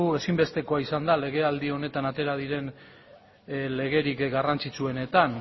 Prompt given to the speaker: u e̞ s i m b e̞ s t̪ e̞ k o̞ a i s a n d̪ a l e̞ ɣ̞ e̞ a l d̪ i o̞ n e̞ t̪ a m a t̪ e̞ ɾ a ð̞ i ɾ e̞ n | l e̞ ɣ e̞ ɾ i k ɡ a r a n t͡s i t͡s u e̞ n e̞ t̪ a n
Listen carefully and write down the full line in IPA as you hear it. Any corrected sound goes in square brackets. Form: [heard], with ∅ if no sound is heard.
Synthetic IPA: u e̞ s i m b e̞ s t̪ e̞ k o̞ a i s a n d̪ a l e̞ ɣ̞ e̞ a l d̪ i o̞ n e̞ t̪ a [n] a t̪ e̞ ɾ a ð̞ i ɾ e̞ n | l e̞ ɣ e̞ ɾ i k ɡ a r a n t͡s i t͡s u e̞ n e̞ t̪ a n